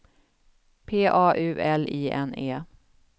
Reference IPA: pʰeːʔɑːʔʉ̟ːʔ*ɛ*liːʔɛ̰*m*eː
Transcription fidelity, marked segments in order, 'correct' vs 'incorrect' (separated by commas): correct, incorrect